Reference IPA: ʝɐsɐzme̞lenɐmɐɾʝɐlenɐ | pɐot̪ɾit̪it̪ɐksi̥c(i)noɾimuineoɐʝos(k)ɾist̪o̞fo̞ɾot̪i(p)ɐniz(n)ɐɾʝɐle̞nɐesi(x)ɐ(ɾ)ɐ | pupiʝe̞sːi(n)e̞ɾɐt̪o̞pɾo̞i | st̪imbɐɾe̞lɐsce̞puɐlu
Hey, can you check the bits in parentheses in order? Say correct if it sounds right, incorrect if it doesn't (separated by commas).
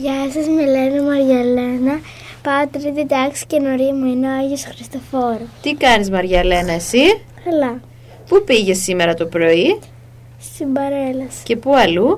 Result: incorrect, incorrect, incorrect, incorrect, incorrect, incorrect, incorrect